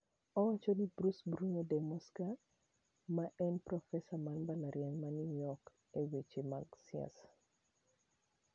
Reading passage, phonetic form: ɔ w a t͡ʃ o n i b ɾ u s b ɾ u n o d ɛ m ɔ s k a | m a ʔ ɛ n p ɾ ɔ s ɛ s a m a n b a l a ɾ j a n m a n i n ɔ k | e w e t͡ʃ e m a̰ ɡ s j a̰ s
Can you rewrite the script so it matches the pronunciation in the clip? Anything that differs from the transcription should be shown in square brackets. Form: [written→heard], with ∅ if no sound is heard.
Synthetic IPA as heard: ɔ w a t͡ʃ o n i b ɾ u s b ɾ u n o d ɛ m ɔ s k a | m a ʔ ɛ n p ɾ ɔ [s→f] ɛ s a m a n b a l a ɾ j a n m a n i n ɔ k | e w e t͡ʃ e m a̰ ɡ s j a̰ s